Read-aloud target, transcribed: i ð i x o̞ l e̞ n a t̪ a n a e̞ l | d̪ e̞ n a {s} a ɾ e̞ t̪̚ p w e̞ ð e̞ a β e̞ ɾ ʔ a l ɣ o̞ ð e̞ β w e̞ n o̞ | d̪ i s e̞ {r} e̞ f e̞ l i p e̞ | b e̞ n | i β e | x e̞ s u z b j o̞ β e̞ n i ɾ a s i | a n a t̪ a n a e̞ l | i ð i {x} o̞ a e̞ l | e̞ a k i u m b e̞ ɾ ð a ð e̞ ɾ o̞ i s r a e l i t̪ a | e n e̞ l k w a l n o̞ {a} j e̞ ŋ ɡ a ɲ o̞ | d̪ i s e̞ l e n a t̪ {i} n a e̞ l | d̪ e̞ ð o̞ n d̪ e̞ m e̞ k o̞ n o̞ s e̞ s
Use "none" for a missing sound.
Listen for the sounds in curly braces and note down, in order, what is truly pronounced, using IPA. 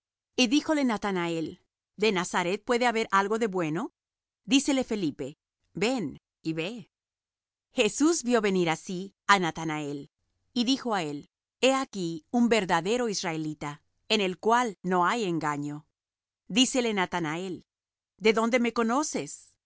s, l, x, a, a

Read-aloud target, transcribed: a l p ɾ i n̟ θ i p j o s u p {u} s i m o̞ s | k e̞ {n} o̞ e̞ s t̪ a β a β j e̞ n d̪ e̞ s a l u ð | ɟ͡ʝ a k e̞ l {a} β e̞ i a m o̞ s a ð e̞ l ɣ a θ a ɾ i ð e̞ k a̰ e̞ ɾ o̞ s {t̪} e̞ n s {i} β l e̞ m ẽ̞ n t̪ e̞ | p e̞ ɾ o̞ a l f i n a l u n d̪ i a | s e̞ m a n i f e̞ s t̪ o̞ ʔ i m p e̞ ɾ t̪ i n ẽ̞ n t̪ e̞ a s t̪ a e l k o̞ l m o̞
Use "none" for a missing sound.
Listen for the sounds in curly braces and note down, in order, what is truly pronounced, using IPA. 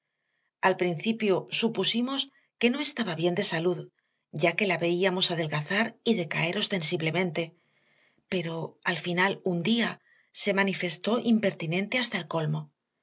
u, n, a, t̪, i

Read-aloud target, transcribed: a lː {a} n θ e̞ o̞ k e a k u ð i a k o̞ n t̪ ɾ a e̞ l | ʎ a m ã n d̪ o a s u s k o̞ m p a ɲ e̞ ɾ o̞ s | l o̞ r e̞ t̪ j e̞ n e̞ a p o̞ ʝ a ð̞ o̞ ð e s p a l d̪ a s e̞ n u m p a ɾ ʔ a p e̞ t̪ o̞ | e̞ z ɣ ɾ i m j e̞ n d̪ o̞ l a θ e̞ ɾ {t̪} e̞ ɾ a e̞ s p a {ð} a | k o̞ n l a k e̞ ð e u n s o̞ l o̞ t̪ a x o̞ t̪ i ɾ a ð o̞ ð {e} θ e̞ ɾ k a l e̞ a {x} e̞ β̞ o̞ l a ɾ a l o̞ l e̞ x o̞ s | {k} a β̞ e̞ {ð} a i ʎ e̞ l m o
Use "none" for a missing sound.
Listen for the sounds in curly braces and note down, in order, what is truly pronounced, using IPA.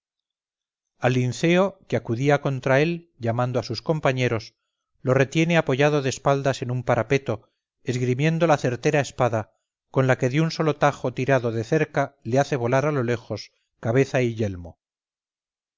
i, t̪, ð, e, θ, k, θ

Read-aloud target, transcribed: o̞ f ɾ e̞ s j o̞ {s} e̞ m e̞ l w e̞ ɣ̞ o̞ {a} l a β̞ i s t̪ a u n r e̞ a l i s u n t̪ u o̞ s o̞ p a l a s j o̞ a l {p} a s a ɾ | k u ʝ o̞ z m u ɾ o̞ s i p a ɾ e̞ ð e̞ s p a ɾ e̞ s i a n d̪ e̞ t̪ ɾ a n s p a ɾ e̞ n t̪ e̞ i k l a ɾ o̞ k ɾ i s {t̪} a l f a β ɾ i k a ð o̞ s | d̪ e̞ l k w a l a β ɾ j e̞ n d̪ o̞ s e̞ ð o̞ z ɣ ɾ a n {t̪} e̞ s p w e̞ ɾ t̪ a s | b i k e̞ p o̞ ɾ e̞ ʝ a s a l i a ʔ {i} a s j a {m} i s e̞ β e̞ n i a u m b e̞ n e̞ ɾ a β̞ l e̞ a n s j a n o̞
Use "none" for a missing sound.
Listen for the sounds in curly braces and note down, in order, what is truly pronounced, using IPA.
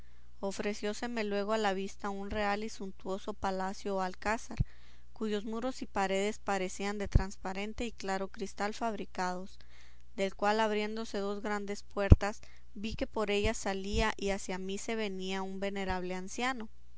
s, a, k, t̪, d̪, i, m

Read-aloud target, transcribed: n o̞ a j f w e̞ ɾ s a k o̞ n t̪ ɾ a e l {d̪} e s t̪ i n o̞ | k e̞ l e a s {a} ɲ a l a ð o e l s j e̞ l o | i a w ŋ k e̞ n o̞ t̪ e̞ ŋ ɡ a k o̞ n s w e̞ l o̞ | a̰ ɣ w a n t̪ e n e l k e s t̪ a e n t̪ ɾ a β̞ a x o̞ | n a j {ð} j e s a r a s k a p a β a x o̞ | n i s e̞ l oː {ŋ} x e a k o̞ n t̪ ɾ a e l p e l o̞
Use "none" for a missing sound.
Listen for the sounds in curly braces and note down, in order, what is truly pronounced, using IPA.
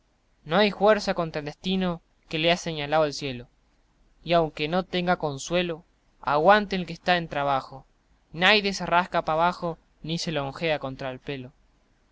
d̪, e, ð, ŋ

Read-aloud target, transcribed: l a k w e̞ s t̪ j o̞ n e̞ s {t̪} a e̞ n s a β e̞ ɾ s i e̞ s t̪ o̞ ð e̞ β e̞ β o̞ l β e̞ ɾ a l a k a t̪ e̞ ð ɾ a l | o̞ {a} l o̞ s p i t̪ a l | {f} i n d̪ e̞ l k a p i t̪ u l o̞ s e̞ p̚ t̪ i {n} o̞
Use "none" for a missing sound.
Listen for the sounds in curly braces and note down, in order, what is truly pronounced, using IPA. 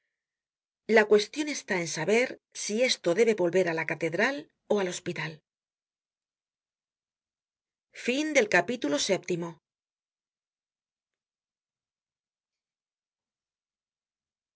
t̪, a, f, m

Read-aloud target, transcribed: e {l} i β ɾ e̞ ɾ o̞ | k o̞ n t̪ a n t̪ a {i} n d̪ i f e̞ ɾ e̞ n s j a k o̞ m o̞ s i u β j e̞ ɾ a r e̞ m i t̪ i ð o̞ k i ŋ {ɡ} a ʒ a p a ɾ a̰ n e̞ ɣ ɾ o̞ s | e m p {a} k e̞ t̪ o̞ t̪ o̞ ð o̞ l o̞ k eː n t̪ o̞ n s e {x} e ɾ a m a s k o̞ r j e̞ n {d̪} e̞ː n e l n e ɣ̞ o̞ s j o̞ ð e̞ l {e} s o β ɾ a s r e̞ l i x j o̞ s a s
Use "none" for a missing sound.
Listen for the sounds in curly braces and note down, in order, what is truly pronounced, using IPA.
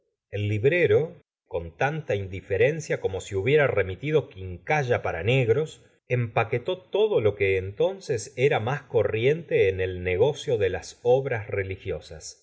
lː, i, k, a, s, t̪, a

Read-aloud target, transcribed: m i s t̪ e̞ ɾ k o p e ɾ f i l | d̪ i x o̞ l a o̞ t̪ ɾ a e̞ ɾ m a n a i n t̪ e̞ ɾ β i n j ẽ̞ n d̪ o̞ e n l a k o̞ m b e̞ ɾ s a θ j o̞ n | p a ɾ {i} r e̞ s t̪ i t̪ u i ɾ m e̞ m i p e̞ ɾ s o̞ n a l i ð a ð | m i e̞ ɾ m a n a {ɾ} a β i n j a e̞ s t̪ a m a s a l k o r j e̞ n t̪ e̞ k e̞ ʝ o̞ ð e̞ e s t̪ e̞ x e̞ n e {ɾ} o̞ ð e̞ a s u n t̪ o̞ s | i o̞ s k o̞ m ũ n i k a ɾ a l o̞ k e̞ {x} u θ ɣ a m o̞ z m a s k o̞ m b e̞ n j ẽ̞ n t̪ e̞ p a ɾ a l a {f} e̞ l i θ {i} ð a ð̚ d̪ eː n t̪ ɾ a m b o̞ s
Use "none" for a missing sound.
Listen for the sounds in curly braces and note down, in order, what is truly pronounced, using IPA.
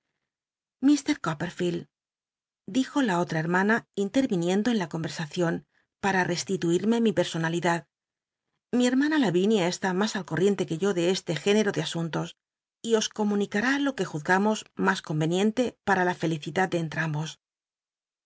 a, l, ɾ, x, f, i

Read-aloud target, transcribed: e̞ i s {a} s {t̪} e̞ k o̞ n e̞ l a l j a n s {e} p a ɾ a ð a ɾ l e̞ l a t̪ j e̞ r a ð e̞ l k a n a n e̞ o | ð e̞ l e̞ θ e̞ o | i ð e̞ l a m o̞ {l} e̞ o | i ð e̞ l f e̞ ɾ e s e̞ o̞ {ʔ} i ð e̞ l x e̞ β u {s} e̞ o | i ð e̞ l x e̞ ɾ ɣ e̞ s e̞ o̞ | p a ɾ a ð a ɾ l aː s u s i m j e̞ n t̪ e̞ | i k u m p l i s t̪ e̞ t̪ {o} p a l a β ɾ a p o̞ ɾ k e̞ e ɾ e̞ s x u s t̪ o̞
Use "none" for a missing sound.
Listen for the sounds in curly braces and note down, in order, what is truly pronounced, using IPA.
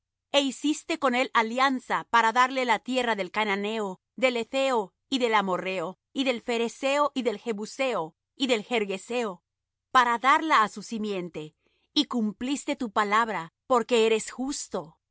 i, t̪, a, r, ʔ, s, u

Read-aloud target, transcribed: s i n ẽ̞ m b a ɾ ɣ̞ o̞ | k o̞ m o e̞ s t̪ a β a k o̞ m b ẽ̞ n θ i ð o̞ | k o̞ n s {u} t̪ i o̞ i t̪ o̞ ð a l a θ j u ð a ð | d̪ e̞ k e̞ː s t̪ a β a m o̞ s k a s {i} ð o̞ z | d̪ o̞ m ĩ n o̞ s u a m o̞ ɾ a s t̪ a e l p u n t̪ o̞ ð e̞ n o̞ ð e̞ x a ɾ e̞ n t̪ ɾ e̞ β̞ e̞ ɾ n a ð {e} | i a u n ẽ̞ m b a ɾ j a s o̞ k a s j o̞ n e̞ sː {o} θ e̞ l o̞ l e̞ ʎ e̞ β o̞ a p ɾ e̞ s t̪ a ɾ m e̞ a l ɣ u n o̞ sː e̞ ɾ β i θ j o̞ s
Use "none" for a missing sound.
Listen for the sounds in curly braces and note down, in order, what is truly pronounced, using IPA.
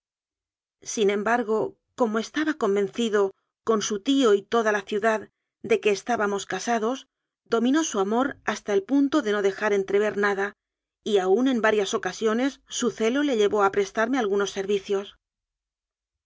u, a, a, u

